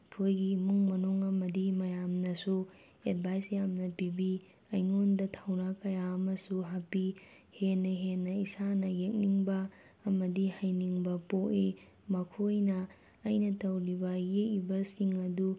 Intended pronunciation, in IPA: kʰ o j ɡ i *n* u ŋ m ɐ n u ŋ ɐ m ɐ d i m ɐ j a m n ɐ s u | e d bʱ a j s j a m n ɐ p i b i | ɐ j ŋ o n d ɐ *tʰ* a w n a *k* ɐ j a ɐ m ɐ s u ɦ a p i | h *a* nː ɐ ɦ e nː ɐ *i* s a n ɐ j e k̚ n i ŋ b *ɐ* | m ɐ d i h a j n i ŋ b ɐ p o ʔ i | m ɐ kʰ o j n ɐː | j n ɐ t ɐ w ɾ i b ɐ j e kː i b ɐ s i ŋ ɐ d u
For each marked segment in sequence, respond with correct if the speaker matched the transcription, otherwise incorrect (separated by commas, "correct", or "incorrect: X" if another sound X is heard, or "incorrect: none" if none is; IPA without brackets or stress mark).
incorrect: m, correct, correct, incorrect: e, correct, incorrect: ɐː